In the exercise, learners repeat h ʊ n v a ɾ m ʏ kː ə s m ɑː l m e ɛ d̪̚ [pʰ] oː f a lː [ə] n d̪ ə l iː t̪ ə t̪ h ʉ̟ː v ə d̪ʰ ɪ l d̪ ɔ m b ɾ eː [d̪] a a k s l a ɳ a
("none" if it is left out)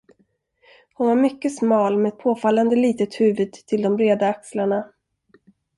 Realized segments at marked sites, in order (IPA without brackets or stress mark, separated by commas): pʰ, a, d̪